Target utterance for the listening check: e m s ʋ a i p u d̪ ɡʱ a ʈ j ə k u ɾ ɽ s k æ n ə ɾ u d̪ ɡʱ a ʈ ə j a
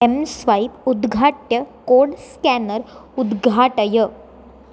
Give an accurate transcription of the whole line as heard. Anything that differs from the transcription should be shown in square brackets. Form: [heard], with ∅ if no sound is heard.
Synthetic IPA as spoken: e m s ʋ a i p u d̪ ɡʱ a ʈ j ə k [o] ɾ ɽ s k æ n ə ɾ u d̪ ɡʱ a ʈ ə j [ə]

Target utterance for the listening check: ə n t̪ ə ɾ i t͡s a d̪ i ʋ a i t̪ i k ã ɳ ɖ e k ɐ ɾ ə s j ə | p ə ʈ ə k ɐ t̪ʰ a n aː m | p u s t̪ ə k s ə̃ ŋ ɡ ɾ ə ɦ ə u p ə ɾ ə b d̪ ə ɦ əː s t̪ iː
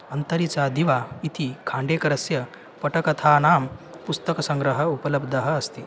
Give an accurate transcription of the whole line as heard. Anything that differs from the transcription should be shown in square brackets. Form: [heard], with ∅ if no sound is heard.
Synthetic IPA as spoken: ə n t̪ ə ɾ i t͡s a d̪ i ʋ a i t̪ i [kʰ] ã ɳ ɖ e k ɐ ɾ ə s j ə | p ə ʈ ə k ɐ t̪ʰ a n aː m | p u s t̪ ə k s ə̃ ŋ ɡ ɾ ə ɦ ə u p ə [l] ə b d̪ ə ɦ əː s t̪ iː

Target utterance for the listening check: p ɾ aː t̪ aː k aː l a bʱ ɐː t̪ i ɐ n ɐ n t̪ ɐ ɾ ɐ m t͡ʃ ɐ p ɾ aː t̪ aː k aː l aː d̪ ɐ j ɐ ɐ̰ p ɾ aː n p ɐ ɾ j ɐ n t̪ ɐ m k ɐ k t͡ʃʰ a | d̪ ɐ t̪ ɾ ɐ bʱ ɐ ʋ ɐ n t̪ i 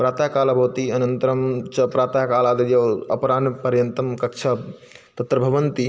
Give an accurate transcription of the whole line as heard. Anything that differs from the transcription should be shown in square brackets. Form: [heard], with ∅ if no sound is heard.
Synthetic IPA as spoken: p ɾ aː t̪ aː k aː l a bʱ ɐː t̪ i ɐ n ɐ n t̪ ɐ ɾ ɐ m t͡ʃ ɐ p ɾ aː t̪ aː k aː l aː d̪ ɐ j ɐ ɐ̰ p ɾ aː n p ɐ ɾ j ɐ n t̪ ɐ m k ɐ k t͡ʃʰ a | [t̪] ɐ t̪ ɾ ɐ bʱ ɐ ʋ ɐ n t̪ i

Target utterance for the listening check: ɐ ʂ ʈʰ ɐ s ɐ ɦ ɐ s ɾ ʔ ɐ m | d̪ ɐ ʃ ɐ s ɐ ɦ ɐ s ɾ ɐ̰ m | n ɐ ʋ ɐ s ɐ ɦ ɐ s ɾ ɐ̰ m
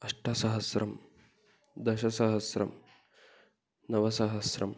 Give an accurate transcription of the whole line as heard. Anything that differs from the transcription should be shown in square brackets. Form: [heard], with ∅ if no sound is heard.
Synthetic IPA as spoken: ɐ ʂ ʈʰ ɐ s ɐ ɦ ɐ s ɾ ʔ ɐ m | d̪ ɐ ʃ ɐ s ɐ ɦ ɐ s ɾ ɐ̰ m | n ɐ ʋ ɐ s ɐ ɦ ɐ s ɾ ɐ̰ m

